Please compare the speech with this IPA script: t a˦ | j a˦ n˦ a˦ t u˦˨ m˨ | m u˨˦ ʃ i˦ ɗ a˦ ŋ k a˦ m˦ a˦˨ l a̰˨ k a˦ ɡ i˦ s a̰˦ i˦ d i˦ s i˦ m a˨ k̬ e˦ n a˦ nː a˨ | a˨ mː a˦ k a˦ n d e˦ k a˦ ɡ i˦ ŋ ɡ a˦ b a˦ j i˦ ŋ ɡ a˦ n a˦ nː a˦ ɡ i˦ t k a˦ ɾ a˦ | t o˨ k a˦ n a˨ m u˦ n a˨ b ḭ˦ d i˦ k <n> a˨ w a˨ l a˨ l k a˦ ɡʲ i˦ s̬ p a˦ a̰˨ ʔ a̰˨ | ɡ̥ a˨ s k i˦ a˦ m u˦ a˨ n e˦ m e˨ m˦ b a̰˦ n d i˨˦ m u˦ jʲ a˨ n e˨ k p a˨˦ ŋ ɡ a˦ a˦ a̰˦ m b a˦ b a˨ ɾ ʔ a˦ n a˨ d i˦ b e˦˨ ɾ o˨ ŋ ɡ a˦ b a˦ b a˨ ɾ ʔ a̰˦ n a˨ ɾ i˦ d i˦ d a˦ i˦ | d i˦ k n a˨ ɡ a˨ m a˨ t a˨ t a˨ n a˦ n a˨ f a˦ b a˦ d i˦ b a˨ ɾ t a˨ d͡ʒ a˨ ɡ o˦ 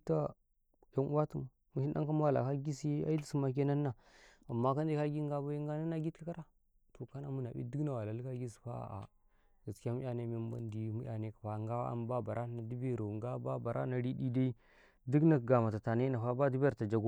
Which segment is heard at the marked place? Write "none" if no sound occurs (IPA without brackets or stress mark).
n